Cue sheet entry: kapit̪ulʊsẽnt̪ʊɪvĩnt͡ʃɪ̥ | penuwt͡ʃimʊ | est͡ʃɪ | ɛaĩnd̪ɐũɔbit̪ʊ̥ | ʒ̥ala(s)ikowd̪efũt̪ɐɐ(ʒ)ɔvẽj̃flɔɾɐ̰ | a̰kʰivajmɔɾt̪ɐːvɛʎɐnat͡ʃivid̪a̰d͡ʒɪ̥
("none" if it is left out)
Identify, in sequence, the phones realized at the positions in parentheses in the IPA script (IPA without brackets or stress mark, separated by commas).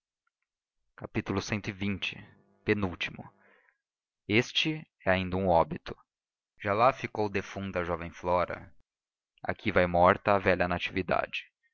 f, ʒ